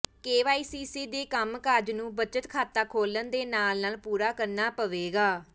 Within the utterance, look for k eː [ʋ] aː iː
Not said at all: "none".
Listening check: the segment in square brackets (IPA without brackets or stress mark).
ʋ